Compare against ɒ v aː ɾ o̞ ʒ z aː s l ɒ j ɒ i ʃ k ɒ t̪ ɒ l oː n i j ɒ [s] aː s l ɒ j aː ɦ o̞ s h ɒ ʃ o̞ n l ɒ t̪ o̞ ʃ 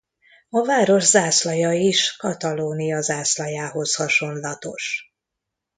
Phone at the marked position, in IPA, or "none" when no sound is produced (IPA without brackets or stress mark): z